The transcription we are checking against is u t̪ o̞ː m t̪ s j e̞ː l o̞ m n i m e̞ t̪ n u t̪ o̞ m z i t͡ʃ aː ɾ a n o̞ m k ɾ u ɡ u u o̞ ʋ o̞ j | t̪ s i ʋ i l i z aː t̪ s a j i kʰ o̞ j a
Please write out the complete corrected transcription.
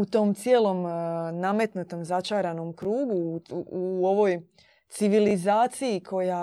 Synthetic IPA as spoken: u t̪ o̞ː m t̪ s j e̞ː l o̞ m n a m e̞ t̪ n u t̪ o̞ m z a t͡ʃ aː ɾ a n o̞ m k ɾ uː ɡ u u o̞ ʋ o̞ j | t̪ s i ʋ i l i z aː t̪ s i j i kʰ o̞ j a